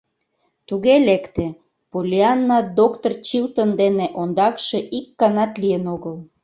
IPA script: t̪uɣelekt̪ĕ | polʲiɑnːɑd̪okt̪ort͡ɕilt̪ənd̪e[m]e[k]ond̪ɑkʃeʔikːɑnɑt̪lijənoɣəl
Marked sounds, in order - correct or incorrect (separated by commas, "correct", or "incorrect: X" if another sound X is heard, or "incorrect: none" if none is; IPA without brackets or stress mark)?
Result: incorrect: n, incorrect: ʔ